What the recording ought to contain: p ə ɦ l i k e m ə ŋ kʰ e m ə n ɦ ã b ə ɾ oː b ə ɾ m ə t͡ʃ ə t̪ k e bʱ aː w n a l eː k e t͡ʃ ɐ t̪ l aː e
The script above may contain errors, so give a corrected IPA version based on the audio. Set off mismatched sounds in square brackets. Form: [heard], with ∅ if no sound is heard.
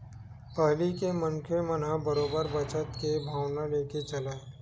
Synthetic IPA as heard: p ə ɦ l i k e m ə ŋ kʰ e m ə n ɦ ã b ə ɾ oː b ə ɾ [b] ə t͡ʃ ə t̪ k e bʱ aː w n a l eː k e t͡ʃ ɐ [∅] l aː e

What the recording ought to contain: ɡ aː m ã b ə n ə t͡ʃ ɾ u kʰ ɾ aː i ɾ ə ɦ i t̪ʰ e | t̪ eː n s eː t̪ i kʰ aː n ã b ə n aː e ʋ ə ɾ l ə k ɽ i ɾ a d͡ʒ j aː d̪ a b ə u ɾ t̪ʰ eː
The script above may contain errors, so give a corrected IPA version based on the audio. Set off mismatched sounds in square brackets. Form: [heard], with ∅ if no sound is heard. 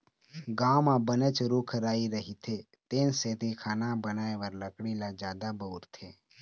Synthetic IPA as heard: ɡ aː m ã b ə n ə t͡ʃ ɾ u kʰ ɾ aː i ɾ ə ɦ i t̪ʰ e | t̪ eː n s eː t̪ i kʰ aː n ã b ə n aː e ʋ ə ɾ l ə k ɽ i [l] a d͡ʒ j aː d̪ a b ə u ɾ t̪ʰ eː

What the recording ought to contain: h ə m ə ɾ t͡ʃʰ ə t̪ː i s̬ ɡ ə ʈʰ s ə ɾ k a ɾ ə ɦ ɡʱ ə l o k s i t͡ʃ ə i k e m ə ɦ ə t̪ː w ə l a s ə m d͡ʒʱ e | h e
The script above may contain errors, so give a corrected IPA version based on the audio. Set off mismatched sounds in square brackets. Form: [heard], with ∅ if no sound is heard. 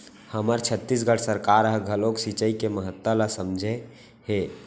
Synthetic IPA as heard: h ə m ə ɾ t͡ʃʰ ə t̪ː i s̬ ɡ ə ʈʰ s ə ɾ k a ɾ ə ɦ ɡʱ ə l o k s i t͡ʃ ə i k e m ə ɦ ə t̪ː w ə l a s ə m d͡ʒʱ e | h e

